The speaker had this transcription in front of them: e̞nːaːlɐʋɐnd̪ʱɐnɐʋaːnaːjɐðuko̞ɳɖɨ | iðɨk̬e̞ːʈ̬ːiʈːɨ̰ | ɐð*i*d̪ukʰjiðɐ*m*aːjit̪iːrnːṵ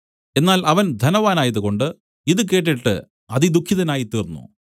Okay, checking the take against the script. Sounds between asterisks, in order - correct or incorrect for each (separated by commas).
correct, incorrect